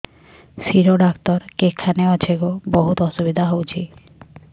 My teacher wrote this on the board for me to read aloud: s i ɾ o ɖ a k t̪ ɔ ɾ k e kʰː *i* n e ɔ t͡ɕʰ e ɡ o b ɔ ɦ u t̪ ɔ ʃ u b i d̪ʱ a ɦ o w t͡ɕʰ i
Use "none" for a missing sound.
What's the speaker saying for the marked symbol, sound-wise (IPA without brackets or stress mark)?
a